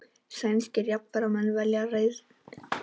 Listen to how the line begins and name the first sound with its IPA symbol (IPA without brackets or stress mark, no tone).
s